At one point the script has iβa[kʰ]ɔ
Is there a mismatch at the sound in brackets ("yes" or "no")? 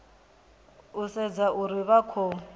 no